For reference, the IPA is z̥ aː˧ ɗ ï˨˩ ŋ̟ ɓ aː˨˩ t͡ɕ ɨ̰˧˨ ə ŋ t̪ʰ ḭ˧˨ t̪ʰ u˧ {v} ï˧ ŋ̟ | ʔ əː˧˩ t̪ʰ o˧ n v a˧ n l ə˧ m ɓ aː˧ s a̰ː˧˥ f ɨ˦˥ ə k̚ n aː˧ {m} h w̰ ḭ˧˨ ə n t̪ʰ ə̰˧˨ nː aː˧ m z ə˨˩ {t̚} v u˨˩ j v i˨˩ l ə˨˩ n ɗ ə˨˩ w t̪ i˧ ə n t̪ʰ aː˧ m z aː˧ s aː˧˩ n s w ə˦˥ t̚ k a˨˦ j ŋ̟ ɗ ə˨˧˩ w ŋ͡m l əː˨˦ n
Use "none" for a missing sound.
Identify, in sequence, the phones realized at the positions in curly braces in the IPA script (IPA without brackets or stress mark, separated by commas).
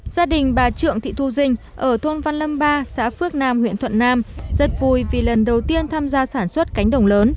z, m, t̚